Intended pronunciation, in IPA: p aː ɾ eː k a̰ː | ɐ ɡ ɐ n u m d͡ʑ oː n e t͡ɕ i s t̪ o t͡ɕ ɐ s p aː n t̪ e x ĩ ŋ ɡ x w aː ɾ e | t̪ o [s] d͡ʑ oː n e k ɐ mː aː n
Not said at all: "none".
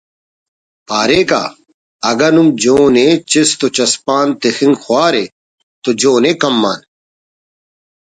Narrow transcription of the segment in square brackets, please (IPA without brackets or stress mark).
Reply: none